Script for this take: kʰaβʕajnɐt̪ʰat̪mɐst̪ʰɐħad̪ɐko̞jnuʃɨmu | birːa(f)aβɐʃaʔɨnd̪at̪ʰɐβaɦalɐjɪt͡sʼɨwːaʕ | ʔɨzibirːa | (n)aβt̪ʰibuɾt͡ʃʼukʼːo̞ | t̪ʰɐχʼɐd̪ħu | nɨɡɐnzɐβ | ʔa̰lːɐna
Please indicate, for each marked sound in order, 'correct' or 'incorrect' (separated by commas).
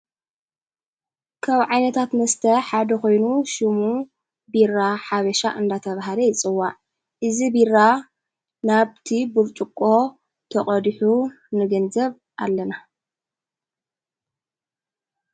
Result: incorrect, correct